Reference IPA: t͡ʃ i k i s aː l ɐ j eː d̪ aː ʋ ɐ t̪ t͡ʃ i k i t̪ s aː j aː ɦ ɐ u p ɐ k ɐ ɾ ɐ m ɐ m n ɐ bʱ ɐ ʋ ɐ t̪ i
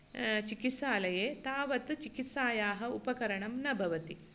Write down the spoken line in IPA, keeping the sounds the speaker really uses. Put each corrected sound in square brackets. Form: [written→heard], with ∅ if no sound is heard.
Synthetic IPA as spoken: t͡ʃ i k i s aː l ɐ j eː [d̪→t̪] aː ʋ ɐ t̪ t͡ʃ i k i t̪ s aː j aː ɦ ɐ u p ɐ k ɐ ɾ ɐ [m→ɳ] ɐ m n ɐ bʱ ɐ ʋ ɐ t̪ i

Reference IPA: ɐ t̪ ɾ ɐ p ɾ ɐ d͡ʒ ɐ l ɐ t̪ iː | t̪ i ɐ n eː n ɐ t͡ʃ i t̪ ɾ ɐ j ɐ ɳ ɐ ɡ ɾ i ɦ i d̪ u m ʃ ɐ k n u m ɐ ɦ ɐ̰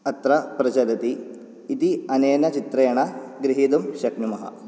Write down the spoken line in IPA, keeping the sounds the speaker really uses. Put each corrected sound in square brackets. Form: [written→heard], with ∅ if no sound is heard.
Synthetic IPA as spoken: ɐ t̪ ɾ ɐ p ɾ ɐ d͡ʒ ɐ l ɐ t̪ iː | t̪ i ɐ n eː n ɐ t͡ʃ i t̪ ɾ ɐ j ɐ ɳ ɐ ɡ ɾ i ɦ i d̪ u m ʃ ɐ k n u m ɐ ɦ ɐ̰

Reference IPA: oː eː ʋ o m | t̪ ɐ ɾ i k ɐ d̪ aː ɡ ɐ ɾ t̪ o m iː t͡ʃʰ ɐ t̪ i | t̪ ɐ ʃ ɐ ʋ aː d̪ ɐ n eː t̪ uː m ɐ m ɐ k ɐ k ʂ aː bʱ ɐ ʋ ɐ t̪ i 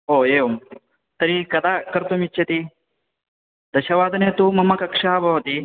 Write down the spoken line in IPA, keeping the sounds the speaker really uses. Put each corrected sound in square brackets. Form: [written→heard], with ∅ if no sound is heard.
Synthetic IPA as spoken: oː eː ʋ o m | t̪ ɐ ɾ i k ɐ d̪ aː [ɡ→k] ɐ ɾ t̪ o m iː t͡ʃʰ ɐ t̪ i | [t̪→d̪] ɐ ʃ ɐ ʋ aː d̪ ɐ n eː t̪ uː m ɐ m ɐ k ɐ k ʂ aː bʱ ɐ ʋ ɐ t̪ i

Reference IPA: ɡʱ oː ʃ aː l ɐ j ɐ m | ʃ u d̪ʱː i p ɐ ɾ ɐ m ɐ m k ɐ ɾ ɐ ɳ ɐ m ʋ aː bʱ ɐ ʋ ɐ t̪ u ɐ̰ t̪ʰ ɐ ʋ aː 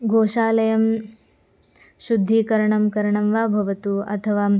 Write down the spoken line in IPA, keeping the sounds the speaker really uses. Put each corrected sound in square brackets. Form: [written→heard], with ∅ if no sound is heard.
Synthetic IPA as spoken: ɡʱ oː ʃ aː l ɐ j ɐ m | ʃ u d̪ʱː i [p→k] ɐ ɾ ɐ [m→ɳ] ɐ m k ɐ ɾ ɐ ɳ ɐ m ʋ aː bʱ ɐ ʋ ɐ t̪ u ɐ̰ t̪ʰ ɐ ʋ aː

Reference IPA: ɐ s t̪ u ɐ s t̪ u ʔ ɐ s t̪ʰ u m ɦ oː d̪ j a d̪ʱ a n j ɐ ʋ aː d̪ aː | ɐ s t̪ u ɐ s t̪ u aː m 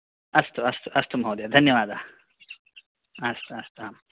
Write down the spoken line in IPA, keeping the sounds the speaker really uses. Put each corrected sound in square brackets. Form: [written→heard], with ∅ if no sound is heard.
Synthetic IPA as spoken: ɐ s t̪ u ɐ s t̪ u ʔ ɐ s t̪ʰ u m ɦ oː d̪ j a d̪ʱ [a→ɐ] n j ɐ ʋ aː d̪ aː | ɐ s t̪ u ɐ s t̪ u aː m

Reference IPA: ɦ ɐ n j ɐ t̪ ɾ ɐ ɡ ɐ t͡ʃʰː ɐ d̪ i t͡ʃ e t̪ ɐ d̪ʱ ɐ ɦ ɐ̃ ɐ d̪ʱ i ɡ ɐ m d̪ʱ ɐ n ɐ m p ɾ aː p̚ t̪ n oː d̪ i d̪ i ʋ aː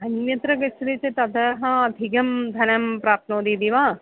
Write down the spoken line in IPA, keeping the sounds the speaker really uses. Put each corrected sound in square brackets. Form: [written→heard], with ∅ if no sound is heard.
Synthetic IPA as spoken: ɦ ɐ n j ɐ t̪ ɾ ɐ ɡ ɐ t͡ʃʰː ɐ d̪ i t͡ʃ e t̪ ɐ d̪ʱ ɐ ɦ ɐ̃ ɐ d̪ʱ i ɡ ɐ m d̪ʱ ɐ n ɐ m p ɾ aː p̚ t̪ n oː d̪ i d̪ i ʋ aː

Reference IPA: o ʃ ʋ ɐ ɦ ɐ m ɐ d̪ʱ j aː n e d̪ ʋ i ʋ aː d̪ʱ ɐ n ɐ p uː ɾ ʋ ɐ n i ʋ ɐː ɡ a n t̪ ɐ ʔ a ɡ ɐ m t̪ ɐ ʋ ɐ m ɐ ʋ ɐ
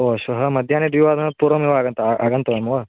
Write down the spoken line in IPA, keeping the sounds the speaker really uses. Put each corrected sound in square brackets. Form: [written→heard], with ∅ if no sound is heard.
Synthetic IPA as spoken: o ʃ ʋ ɐ ɦ ɐ m ɐ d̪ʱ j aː n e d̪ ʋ i ʋ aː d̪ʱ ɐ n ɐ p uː ɾ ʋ ɐ [n→m] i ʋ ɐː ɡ [a→ɐ] n t̪ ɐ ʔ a ɡ ɐ [m→n] t̪ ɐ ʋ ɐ m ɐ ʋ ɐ

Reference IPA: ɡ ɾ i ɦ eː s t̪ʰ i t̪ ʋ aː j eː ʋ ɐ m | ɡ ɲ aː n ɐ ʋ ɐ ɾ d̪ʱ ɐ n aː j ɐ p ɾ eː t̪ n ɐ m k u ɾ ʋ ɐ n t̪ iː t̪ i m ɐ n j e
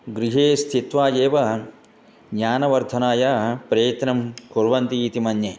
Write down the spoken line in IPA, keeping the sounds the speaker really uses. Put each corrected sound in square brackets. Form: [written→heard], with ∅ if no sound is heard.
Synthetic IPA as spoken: ɡ ɾ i ɦ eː s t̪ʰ i t̪ ʋ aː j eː ʋ ɐ [m→∅] | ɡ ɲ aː n ɐ ʋ ɐ ɾ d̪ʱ ɐ n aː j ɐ p ɾ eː t̪ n ɐ m k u ɾ ʋ ɐ n t̪ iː t̪ i m ɐ n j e

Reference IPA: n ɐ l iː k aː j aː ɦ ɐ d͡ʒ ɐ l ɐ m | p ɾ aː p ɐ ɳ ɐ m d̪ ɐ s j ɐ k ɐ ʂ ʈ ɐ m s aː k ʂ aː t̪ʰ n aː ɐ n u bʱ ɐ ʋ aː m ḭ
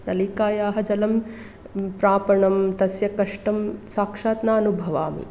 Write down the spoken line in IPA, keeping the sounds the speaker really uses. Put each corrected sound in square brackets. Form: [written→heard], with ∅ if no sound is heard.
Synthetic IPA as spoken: n ɐ l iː k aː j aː ɦ ɐ d͡ʒ ɐ l ɐ m | p ɾ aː p ɐ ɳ ɐ m [d̪→t̪] ɐ s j ɐ k ɐ ʂ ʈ ɐ m s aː k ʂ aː [t̪ʰ→t̪] n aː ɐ n u bʱ ɐ ʋ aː m ḭ

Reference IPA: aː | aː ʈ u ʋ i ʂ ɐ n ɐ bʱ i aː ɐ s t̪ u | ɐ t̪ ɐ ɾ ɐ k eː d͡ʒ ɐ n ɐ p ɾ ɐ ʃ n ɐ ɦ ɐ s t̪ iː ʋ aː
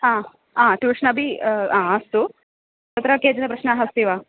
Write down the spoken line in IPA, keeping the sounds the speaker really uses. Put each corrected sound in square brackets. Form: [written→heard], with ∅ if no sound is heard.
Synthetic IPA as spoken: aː | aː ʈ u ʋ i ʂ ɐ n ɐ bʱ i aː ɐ s t̪ u | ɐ t̪ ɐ ɾ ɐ k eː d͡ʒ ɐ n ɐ p ɾ ɐ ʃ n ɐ ɦ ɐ s t̪ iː ʋ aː

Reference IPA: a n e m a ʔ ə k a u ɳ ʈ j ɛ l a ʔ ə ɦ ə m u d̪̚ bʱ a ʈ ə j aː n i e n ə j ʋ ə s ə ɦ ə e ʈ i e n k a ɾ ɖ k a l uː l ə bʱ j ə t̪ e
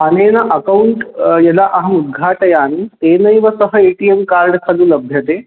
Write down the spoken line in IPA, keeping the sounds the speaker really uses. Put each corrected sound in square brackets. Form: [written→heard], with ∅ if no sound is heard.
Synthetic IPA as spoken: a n e [m→n] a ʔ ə k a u ɳ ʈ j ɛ l a ʔ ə ɦ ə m u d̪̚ [bʱ→ɡʱ] a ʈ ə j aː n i e n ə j ʋ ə s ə ɦ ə e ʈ i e [n→m] k a ɾ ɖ [k→kʰ] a l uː l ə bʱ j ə t̪ e

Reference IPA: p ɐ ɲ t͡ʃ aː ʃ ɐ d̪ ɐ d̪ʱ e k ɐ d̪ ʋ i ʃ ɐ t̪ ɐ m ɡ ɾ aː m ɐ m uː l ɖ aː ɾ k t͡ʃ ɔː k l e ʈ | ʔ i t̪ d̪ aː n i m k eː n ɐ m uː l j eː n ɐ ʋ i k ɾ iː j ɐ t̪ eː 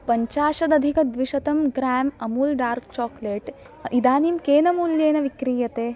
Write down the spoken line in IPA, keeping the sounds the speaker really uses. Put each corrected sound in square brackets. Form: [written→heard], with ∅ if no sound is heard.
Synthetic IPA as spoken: p ɐ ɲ t͡ʃ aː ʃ ɐ d̪ ɐ d̪ʱ [e→i] k ɐ d̪ ʋ i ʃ ɐ t̪ ɐ m ɡ ɾ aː m ɐ m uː l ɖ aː ɾ k t͡ʃ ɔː k l e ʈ | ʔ i [t̪→∅] d̪ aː n i m k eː n ɐ m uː l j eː n ɐ ʋ i k ɾ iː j ɐ t̪ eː

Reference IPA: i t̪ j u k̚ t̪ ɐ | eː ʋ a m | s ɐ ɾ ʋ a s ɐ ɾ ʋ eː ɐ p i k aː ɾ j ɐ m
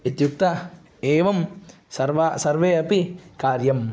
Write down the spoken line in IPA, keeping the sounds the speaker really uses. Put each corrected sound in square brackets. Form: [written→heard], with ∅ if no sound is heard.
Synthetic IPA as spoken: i t̪ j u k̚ t̪ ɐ | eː ʋ [a→ɐ] m | s ɐ ɾ ʋ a s ɐ ɾ ʋ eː ɐ p i k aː ɾ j ɐ m

